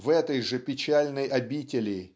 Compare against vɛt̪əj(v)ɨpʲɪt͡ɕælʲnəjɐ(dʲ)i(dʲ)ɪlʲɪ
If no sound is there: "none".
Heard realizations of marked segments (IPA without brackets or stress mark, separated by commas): ʐ, bʲ, tʲ